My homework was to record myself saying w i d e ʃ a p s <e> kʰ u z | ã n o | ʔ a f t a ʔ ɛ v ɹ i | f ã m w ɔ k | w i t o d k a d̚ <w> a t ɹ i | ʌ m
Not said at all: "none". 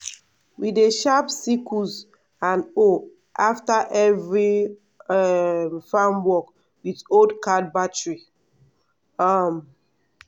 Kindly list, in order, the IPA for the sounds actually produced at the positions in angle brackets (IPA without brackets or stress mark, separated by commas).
i, b